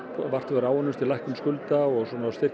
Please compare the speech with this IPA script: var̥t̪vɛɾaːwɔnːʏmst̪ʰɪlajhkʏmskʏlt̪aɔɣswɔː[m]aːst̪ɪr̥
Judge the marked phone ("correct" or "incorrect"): incorrect